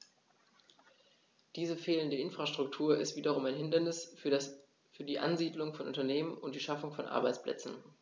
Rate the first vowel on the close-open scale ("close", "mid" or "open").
close